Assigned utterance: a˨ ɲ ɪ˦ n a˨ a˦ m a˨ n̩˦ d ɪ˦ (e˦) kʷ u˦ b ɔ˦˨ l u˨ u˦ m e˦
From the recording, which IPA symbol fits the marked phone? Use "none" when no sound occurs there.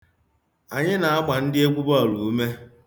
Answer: e˦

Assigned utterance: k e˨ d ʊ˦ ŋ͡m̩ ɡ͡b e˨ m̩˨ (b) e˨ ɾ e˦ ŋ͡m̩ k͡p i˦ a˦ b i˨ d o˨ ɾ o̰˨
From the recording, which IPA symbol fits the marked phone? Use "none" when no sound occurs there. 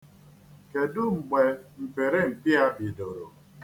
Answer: p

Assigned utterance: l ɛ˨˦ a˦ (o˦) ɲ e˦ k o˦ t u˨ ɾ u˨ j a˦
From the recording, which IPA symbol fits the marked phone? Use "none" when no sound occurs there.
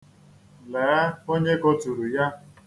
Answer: o˦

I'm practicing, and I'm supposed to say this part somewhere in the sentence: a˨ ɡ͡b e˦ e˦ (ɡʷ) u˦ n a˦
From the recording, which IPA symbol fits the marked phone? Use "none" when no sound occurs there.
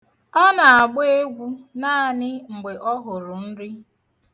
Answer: ɡʷ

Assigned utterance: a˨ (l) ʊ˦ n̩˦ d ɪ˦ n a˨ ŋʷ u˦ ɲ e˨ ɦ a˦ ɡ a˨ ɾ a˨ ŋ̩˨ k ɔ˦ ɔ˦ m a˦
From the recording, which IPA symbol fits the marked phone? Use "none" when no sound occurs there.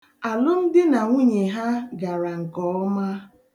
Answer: l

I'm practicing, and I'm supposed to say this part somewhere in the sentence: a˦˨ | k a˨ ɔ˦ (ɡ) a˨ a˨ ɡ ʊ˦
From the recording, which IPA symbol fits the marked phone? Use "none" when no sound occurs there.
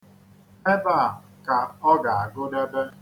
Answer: ɡ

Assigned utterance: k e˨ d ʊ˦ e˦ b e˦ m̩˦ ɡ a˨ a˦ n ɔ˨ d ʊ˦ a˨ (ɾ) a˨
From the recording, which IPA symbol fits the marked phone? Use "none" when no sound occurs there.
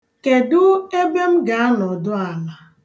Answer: l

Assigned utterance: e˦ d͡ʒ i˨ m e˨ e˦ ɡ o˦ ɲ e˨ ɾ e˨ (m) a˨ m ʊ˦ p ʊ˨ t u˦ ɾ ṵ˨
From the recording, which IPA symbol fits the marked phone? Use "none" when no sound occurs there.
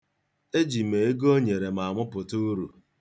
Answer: m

